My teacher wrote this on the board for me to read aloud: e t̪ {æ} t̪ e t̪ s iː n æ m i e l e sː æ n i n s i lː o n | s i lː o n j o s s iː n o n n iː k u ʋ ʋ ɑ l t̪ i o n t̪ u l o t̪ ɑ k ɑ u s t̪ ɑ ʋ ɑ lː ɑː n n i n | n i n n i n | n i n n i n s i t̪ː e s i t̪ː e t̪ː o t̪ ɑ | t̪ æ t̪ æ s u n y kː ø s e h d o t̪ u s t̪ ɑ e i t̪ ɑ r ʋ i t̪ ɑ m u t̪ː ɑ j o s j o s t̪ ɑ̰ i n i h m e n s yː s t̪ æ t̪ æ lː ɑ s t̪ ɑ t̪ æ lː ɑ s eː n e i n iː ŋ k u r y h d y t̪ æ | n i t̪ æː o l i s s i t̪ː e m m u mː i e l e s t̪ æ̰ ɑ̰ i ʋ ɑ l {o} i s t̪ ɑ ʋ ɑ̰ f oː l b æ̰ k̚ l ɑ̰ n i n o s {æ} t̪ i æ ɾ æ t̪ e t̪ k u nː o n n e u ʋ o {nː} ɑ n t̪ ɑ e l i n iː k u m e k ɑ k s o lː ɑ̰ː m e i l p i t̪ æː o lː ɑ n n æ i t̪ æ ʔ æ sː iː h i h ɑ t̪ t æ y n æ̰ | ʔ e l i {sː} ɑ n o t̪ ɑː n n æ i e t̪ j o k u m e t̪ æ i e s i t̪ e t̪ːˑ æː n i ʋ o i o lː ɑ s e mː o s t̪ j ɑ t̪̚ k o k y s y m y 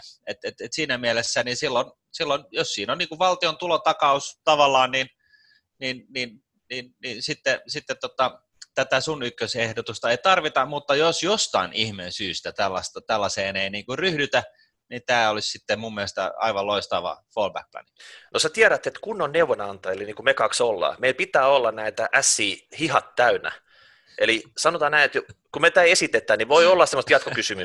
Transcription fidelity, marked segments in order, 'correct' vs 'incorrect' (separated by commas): incorrect, correct, correct, incorrect, incorrect